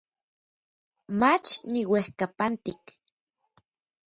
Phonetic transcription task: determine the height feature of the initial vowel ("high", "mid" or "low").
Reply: low